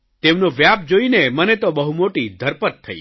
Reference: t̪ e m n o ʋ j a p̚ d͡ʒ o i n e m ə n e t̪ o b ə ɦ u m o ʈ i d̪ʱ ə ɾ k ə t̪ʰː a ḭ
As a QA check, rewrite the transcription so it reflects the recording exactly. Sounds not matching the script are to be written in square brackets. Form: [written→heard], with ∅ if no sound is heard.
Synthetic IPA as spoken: t̪ e m n o ʋ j a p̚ d͡ʒ o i n e m ə n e t̪ o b ə ɦ u m o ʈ i d̪ʱ ə ɾ [k→p] ə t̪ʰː [a→ə] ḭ

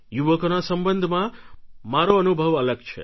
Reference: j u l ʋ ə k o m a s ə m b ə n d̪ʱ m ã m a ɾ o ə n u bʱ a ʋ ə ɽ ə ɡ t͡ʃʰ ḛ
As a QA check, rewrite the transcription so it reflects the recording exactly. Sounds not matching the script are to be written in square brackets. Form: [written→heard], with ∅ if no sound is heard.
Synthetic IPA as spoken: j u [l→∅] ʋ ə k o [m→n] a s ə m b ə n d̪ʱ m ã m a ɾ o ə n u bʱ [a→ə] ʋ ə [ɽ→l] ə ɡ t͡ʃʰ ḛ

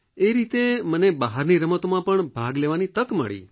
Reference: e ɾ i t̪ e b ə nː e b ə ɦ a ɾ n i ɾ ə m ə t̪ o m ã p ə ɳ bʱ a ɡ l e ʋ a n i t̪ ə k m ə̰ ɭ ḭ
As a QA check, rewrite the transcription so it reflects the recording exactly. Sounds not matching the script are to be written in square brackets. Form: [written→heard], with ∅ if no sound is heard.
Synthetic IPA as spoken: e ɾ i t̪ e [b→m] ə [nː→n] e b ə ɦ a ɾ n i ɾ ə m ə t̪ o m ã p ə ɳ bʱ a ɡ l e ʋ a n i t̪ ə k m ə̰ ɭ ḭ

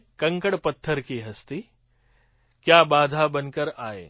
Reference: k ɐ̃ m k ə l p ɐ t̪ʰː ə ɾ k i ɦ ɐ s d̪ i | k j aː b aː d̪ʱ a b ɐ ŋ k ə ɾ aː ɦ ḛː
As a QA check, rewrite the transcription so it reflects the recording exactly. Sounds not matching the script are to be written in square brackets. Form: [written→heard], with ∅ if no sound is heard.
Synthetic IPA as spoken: k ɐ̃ [m→ŋ] k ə [l→ɽ] p ɐ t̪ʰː ə ɾ k i ɦ ɐ s [d̪→t̪] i | k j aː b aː d̪ʱ a b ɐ [ŋ→n] k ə ɾ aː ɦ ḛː

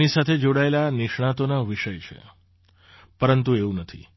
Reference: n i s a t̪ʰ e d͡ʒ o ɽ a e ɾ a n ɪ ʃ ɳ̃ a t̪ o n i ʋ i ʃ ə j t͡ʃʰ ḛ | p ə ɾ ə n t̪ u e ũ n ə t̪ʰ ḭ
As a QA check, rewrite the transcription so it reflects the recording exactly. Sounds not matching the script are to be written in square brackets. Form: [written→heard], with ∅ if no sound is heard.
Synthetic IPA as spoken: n i s a t̪ʰ e d͡ʒ o ɽ a e [ɾ→l] a n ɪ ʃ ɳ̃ a t̪ o n [i→a] ʋ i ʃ ə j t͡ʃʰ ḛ | p ə ɾ ə n t̪ u e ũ n ə t̪ʰ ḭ

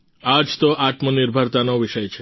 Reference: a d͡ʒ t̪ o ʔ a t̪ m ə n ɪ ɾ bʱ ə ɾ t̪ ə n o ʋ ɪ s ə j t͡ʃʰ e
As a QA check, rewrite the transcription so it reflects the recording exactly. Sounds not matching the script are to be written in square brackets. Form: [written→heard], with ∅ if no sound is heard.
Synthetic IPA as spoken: a d͡ʒ t̪ o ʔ a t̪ m ə n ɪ ɾ bʱ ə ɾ t̪ [ə→a] n o ʋ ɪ [s→ʃ] ə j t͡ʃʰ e

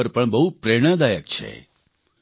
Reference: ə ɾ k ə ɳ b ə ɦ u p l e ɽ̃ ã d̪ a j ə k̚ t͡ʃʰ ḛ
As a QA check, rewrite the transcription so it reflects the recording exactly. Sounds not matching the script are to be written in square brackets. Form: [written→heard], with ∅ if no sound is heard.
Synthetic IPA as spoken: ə ɾ [k→p] ə ɳ b ə ɦ u p [l→ɾ] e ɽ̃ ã d̪ a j ə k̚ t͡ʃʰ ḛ

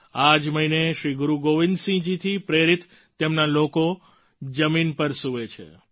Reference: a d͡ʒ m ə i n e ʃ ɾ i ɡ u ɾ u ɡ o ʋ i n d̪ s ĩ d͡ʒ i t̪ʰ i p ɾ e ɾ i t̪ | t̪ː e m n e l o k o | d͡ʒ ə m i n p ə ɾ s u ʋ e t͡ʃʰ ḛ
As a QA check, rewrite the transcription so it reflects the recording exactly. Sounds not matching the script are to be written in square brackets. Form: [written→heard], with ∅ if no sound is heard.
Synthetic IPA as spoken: a d͡ʒ m ə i n e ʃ ɾ i ɡ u ɾ u ɡ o ʋ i n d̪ s ĩ d͡ʒ i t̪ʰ i p ɾ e ɾ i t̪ | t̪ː e m n [e→a] l o k o | d͡ʒ ə m i n p ə ɾ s u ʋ e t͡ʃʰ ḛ

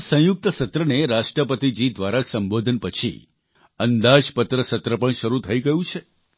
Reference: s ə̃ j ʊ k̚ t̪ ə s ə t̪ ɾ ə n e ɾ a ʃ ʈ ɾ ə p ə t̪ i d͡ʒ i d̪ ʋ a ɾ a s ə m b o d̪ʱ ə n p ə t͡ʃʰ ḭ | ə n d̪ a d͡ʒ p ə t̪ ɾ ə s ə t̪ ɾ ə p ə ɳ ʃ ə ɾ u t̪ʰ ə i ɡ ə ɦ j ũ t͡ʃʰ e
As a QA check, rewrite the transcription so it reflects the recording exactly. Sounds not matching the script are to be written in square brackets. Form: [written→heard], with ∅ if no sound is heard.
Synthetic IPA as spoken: s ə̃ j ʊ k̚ t̪ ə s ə t̪ ɾ ə n e ɾ a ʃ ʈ ɾ ə p ə t̪ i d͡ʒ i d̪ ʋ a ɾ a s ə m b o d̪ʱ ə n p ə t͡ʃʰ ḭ | ə n d̪ a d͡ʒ p ə t̪ ɾ ə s ə t̪ ɾ ə p ə ɳ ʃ ə ɾ u t̪ʰ ə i ɡ ə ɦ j ũ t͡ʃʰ e

